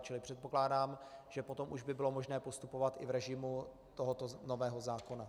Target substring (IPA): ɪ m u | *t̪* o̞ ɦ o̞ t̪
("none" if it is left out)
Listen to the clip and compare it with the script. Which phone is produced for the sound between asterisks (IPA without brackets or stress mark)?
t̪